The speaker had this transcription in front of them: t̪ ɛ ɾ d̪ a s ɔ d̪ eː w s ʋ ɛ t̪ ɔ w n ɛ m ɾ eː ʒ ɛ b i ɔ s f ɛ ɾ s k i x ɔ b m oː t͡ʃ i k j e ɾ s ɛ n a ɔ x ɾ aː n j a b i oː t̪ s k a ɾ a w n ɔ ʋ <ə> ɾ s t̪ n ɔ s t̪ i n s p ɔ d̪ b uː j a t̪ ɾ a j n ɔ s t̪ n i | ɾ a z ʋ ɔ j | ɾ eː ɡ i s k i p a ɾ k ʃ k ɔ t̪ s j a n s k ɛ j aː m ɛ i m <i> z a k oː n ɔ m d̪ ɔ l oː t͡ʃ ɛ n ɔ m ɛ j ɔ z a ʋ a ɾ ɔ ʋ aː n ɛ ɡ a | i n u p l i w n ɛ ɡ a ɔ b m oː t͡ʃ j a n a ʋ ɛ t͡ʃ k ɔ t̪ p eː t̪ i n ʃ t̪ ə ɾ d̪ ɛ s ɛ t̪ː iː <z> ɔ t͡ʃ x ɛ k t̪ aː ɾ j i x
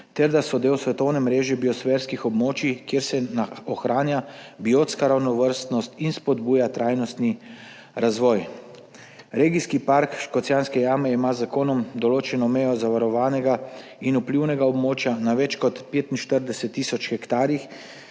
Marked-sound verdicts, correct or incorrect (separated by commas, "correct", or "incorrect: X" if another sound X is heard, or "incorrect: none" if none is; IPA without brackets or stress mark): correct, incorrect: a, incorrect: s